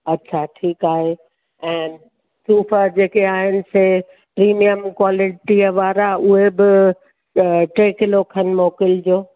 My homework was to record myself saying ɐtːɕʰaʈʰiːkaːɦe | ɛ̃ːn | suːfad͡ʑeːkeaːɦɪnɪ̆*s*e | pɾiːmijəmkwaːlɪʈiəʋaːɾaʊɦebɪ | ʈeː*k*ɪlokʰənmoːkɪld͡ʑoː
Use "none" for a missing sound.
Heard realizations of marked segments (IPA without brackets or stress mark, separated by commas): s, k